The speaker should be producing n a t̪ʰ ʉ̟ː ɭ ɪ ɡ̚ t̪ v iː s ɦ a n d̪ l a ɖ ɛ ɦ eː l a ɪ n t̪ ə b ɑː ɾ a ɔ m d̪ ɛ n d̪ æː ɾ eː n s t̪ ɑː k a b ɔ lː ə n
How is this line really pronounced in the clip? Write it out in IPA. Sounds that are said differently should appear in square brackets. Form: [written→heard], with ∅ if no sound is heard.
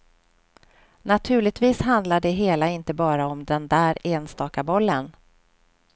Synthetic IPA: n a t̪ʰ ʉ̟ː ɭ ɪ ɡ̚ t̪ v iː s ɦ a n d̪ l a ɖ ɛ ɦ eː l a ɪ n t̪ ə b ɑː ɾ a ɔ m d̪ ɛ n d̪ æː ɾ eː n s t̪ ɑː k a b ɔ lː ə n